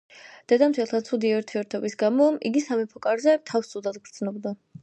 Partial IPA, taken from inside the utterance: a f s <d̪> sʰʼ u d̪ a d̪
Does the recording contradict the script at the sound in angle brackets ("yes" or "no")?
yes